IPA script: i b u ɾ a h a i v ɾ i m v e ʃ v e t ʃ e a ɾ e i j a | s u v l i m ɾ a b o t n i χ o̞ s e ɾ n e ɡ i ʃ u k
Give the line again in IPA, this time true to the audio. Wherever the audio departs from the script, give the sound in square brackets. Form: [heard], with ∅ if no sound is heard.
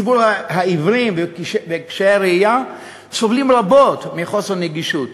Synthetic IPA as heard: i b u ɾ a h a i v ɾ i m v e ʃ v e [k] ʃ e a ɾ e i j a | s [o] v l i m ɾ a b o t [m] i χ o̞ s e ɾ n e ɡ i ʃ u [t]